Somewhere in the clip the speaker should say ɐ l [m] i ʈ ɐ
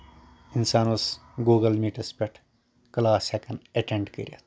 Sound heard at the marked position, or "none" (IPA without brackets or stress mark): m